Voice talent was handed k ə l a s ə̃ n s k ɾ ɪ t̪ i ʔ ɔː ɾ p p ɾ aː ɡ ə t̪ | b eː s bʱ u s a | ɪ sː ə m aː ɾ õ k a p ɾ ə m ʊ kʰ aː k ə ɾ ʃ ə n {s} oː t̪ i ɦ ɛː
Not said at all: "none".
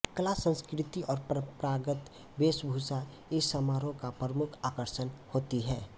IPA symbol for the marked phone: h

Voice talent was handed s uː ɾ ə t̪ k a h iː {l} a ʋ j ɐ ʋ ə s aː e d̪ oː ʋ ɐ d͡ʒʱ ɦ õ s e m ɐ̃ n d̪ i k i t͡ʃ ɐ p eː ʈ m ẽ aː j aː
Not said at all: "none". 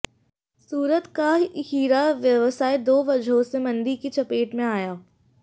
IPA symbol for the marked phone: ɾ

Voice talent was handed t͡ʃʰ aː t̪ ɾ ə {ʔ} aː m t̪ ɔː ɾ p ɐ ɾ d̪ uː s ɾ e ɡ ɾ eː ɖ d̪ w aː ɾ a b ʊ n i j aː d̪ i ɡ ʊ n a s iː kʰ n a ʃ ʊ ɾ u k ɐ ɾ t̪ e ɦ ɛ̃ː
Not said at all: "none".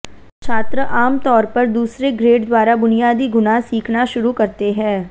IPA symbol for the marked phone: ʔ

